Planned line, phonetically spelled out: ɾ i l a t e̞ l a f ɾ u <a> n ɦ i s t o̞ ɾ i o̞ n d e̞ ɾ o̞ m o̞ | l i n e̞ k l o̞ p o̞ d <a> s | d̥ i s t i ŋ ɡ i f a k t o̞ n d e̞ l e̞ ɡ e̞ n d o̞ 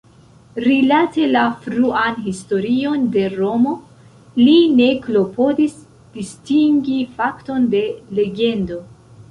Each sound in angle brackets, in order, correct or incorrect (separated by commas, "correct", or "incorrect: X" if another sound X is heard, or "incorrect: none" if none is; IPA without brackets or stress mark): correct, incorrect: i